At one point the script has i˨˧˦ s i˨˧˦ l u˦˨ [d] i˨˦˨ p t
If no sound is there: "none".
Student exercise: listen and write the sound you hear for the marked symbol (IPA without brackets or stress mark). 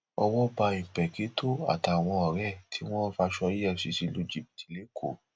d͡ʒ